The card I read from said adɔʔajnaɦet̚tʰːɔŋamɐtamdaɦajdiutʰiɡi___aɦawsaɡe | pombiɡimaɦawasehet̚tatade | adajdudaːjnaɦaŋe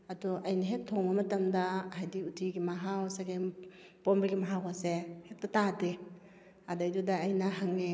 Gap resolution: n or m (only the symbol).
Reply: m